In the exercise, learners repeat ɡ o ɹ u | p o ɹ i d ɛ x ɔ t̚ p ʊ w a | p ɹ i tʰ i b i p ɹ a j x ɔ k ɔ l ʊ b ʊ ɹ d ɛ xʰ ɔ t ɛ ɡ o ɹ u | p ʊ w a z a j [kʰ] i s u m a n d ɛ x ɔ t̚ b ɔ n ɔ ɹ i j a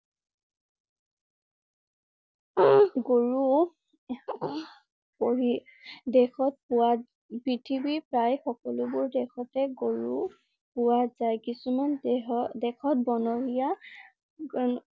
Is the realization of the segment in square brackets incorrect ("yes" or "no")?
yes